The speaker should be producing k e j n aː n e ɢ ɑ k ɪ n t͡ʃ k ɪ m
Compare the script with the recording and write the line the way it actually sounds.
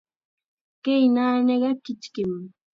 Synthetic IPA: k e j n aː n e ɢ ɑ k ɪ t͡ʃ k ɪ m